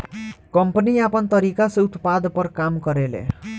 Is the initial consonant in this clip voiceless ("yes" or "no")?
yes